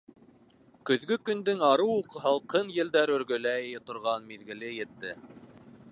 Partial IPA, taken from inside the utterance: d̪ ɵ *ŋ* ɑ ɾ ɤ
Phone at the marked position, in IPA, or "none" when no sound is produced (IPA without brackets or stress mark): ŋ